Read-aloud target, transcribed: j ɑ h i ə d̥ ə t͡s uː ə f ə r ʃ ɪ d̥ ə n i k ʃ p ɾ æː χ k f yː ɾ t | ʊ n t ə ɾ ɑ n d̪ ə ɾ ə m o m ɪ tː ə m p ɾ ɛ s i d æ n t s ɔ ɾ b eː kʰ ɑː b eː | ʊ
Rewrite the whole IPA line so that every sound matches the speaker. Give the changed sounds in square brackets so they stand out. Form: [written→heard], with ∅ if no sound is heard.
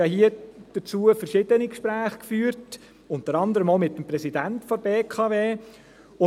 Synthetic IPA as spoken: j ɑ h i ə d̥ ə t͡s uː ə f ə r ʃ ɪ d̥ ə n i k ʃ p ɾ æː χ k f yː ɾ t | ʊ n t ə ɾ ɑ n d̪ ə ɾ ə m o m ɪ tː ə m p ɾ ɛ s i d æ n t [s→f] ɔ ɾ b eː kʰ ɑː [b→v] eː | ʊ